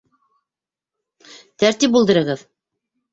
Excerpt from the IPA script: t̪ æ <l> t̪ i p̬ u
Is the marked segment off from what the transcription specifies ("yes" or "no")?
yes